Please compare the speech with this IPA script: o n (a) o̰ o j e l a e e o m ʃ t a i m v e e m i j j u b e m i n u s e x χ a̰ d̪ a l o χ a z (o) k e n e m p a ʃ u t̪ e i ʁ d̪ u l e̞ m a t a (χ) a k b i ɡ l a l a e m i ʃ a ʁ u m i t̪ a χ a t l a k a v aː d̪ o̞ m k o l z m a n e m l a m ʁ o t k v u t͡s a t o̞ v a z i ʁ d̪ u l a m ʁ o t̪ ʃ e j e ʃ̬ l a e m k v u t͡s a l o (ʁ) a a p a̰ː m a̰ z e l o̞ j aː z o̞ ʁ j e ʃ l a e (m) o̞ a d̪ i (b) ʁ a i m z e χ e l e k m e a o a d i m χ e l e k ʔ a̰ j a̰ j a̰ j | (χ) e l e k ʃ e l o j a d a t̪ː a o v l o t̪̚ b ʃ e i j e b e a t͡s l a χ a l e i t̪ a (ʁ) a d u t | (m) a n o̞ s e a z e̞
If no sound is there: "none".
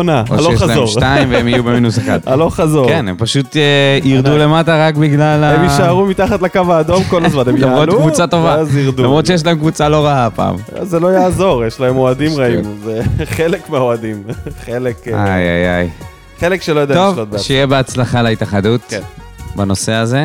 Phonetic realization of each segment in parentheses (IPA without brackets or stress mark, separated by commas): a, o, ʁ, ʁ, m, m, χ, χ, b